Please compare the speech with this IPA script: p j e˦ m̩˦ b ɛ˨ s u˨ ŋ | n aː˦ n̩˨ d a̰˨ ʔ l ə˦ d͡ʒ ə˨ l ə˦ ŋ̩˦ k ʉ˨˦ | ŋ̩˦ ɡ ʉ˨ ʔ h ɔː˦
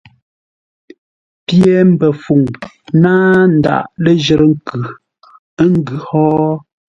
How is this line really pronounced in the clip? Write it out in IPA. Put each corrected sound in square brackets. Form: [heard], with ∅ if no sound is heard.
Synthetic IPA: p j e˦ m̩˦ b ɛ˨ [f] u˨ ŋ | n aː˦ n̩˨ d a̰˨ ʔ l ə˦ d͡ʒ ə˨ [ɾ] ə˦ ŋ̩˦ k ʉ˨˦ | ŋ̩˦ ɡ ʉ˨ [∅] h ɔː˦

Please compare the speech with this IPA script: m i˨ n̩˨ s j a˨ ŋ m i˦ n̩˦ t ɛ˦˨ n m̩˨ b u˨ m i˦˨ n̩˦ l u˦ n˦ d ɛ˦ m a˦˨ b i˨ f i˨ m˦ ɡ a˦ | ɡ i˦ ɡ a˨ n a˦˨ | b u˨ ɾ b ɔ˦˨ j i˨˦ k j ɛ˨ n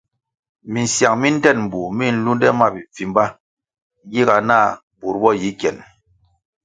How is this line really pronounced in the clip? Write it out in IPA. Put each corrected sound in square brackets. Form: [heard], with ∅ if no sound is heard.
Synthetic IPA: m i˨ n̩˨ s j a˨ ŋ m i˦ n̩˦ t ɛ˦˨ n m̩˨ b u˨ m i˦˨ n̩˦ l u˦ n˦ d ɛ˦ m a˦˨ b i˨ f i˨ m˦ [b] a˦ | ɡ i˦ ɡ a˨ n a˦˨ | b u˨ ɾ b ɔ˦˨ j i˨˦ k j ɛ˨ n

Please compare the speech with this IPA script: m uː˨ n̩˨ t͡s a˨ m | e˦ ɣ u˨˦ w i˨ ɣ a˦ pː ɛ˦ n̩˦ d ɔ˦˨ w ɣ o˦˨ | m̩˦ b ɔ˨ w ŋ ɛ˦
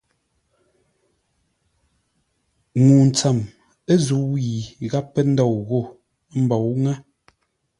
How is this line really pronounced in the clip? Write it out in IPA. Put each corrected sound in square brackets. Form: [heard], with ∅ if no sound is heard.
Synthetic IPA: [ŋ] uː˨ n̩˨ t͡s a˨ m | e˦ [z] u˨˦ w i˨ ɣ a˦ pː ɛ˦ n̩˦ d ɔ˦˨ w ɣ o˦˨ | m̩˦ b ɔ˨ w ŋ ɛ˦

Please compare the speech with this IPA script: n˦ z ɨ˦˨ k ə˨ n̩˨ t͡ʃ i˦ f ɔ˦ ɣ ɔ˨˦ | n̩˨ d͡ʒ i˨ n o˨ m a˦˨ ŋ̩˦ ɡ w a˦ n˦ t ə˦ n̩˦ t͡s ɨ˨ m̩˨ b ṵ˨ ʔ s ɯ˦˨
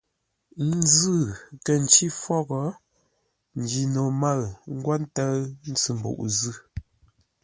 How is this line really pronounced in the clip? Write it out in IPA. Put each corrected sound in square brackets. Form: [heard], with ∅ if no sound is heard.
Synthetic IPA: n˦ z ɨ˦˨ k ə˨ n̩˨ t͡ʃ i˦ f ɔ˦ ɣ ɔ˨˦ | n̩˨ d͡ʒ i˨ n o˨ m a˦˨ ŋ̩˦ ɡ w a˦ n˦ t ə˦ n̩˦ t͡s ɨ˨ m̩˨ b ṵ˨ ʔ [z] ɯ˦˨

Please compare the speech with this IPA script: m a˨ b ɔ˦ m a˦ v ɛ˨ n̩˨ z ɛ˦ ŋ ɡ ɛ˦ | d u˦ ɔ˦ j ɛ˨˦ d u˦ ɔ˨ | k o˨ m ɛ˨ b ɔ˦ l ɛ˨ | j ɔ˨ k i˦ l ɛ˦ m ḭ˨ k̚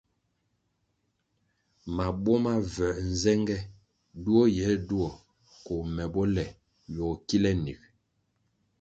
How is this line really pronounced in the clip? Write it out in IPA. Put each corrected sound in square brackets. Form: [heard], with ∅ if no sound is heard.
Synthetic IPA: m a˨ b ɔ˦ m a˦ v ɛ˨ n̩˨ z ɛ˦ ŋ ɡ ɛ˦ | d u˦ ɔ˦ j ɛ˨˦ d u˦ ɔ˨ | k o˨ m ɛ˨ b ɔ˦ l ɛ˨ | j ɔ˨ k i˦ l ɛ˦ [n] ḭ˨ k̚

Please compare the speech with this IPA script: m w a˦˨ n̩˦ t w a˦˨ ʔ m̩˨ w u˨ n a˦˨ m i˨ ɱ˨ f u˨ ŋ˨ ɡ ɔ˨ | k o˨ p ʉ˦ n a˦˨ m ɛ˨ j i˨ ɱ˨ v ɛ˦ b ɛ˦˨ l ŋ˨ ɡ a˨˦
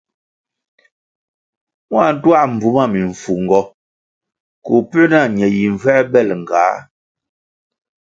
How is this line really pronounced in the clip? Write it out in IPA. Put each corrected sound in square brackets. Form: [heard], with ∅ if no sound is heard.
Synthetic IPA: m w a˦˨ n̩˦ t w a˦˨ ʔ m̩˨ [b] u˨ [m] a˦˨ m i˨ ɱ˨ f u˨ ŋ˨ ɡ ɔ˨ | k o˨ p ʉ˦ n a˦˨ [ɲ] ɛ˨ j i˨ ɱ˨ v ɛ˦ b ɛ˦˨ l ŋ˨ ɡ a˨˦

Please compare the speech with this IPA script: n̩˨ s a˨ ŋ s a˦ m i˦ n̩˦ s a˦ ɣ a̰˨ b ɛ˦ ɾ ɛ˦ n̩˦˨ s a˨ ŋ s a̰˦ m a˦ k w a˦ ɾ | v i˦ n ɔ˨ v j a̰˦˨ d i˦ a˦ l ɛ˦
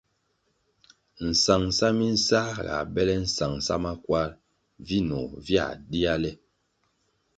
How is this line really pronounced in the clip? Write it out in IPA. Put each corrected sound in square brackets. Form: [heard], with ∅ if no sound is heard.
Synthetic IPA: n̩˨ s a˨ ŋ s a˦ m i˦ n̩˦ s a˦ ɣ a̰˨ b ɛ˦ [l] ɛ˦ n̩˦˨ s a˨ ŋ s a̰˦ m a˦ k w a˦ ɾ | v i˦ n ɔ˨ v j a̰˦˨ d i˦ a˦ l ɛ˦

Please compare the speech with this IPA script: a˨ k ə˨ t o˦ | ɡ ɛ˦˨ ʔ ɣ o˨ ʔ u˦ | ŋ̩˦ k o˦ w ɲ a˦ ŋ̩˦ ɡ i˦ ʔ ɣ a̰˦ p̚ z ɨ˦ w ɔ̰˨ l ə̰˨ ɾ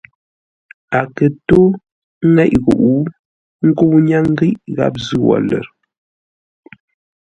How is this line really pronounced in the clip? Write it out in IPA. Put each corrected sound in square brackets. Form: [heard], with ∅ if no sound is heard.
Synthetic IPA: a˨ k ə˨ t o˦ | [ŋ] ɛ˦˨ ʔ ɣ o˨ ʔ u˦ | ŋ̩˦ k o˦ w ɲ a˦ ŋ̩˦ ɡ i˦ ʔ ɣ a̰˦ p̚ z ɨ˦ w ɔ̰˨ l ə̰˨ ɾ

